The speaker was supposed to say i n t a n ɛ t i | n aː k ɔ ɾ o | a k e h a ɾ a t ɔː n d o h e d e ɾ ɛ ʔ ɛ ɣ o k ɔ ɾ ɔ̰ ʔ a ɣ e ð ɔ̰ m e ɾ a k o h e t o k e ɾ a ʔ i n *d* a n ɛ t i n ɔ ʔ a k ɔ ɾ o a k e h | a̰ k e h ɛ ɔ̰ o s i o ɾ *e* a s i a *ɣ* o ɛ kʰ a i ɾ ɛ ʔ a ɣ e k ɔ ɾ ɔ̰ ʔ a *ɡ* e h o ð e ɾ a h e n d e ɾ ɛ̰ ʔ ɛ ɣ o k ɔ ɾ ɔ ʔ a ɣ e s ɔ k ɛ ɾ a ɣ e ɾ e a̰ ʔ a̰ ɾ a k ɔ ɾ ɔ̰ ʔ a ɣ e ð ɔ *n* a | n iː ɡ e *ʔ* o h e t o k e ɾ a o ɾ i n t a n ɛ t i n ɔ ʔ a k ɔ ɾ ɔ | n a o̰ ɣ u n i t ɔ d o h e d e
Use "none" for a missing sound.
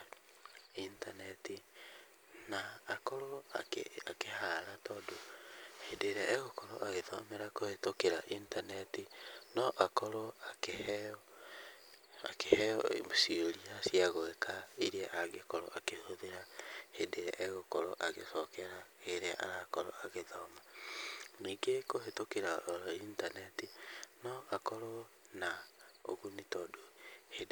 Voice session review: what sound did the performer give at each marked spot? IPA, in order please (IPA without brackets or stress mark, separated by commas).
t, i, ɣ, k, m, k